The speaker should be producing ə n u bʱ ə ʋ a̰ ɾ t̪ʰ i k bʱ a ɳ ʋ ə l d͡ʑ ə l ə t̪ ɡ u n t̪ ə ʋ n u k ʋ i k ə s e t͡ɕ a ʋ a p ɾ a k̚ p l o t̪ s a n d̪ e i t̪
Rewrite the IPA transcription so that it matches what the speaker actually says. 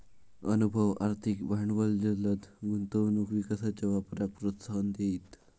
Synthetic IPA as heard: ə n u bʱ ə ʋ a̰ ɾ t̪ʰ i k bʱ a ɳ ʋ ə l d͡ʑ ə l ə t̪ ɡ u n t̪ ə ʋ n u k ʋ i k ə s a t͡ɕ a ʋ a p ɾ a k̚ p ɾ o t̪ s a n d̪ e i t̪